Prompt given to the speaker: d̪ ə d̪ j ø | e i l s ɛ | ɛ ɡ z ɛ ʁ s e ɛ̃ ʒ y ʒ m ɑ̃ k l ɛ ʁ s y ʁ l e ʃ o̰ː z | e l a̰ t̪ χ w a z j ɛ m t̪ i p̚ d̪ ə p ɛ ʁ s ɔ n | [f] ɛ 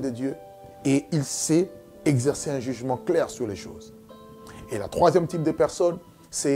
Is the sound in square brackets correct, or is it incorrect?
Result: incorrect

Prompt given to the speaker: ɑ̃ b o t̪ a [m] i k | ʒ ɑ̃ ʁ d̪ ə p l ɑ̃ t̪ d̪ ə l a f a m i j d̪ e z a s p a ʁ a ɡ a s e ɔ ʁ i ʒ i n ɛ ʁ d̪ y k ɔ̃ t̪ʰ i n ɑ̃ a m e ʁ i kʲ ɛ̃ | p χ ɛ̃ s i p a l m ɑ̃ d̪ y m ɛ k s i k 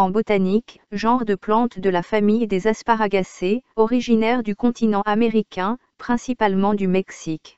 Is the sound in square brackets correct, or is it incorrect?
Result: incorrect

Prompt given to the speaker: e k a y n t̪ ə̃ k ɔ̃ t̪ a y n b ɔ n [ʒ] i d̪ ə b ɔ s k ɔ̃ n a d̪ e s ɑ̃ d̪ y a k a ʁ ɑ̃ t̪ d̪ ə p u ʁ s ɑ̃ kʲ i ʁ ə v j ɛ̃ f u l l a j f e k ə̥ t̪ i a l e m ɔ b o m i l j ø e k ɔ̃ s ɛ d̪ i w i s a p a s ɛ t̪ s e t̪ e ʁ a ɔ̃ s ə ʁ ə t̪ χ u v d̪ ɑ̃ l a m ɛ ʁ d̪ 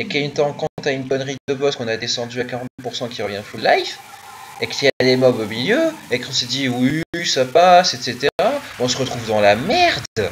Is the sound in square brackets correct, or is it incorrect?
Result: incorrect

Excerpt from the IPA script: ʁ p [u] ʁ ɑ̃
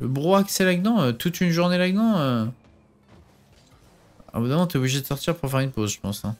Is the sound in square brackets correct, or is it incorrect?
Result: correct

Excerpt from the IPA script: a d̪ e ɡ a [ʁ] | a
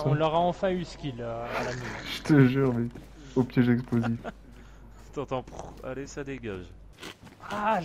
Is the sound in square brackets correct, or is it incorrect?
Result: incorrect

